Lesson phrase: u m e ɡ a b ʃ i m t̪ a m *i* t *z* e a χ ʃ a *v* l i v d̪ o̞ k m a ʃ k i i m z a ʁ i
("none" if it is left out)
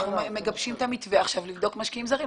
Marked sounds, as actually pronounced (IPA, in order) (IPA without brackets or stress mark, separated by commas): i, v, v